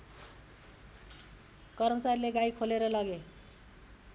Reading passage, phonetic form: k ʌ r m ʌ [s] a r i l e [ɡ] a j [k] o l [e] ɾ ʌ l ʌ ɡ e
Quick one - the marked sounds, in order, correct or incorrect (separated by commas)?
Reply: incorrect, correct, incorrect, correct